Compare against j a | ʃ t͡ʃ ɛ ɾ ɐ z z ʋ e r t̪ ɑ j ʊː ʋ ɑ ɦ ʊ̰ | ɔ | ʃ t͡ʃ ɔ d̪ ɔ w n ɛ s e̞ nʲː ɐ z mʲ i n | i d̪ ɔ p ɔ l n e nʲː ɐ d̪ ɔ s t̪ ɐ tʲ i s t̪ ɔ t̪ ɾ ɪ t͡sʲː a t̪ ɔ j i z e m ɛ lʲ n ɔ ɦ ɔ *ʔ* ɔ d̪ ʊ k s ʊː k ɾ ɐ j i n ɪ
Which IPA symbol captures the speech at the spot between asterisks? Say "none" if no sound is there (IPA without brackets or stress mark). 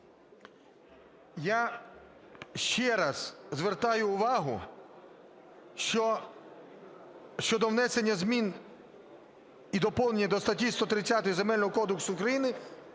k